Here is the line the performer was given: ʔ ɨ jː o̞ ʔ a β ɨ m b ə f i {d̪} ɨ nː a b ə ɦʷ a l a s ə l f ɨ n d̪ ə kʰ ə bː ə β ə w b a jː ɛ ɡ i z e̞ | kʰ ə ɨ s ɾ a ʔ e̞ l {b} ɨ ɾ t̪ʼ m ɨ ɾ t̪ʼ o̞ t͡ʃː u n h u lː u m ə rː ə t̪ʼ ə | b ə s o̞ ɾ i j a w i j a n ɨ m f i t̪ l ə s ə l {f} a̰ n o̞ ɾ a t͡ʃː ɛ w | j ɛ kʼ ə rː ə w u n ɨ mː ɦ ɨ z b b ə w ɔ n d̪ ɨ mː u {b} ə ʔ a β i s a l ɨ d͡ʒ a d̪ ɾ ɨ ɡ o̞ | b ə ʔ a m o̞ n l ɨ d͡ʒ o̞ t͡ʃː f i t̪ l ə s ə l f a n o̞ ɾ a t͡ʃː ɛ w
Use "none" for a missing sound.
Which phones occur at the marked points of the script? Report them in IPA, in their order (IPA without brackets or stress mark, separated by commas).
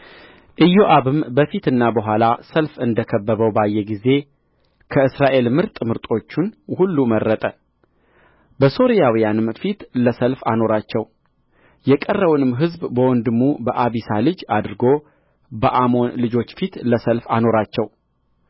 t̪, m, f, b